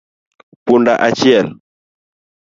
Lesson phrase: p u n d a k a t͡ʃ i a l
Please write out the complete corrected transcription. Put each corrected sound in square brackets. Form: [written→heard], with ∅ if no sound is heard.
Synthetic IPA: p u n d a [k→ʔ] a t͡ʃ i [a→ɛ] l